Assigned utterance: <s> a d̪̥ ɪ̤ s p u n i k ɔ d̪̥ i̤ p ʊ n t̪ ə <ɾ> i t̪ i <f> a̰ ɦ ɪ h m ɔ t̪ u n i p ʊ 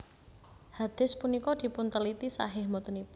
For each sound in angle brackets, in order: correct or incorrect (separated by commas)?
incorrect, incorrect, incorrect